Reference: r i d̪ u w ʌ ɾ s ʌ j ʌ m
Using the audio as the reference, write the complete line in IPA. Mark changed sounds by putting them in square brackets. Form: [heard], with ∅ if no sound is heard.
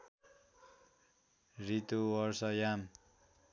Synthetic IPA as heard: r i [t̪] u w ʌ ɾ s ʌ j [a] m